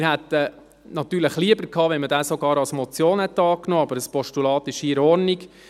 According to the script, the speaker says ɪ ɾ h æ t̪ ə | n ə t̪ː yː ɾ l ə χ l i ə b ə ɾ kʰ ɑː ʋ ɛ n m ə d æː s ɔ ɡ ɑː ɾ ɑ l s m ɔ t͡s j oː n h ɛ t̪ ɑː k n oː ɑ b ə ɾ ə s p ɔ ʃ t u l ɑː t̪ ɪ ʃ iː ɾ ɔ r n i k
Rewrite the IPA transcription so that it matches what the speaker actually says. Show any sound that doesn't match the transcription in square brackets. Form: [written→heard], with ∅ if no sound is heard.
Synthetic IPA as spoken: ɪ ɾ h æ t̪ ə | n [ə→ɑ] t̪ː yː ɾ l ə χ l i ə b ə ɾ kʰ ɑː ʋ ɛ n m ə d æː s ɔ ɡ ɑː ɾ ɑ l s m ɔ t͡s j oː n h ɛ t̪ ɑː k n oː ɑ b ə ɾ ə s p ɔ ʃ t u l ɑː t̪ ɪ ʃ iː ɾ ɔ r n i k

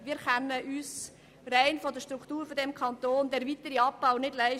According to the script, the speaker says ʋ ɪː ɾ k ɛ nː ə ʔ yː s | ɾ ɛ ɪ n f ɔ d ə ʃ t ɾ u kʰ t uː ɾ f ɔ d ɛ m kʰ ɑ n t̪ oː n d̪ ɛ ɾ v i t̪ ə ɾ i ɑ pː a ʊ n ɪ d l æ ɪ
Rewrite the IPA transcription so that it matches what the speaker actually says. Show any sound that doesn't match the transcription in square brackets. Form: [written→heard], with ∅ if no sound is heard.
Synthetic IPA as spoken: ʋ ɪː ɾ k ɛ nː ə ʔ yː s | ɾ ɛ ɪ n f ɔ d ə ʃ t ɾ u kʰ t uː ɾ f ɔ d ɛ m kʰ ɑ n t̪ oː n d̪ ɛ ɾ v i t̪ ə ɾ i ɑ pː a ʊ n ɪ d l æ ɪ

